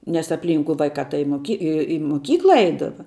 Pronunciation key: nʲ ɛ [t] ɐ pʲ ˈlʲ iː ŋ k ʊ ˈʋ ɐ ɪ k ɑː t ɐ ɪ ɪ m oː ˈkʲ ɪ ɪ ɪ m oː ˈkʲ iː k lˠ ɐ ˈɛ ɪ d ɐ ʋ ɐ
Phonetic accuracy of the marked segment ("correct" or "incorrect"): incorrect